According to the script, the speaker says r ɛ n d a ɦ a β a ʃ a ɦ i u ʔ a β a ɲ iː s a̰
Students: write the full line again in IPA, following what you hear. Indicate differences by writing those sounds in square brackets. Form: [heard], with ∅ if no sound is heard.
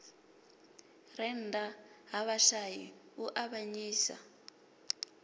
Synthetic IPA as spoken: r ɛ n d a ɦ a β a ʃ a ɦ i u ʔ a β a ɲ iː s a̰